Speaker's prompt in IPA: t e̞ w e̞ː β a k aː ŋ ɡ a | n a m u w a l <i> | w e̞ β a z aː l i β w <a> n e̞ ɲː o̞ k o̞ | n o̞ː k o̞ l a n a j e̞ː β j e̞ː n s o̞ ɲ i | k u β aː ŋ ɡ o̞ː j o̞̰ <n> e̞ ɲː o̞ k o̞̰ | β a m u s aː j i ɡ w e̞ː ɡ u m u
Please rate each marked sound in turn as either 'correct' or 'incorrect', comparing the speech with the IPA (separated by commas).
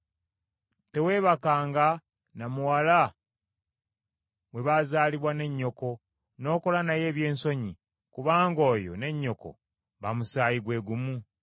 incorrect, correct, correct